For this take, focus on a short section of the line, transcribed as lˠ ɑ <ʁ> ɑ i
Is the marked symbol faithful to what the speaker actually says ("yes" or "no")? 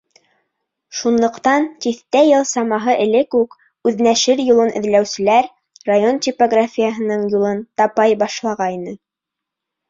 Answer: yes